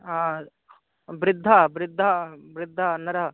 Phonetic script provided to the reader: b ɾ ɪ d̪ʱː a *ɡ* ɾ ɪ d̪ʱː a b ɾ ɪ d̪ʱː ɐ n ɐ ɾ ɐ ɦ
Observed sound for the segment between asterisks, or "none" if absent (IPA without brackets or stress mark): b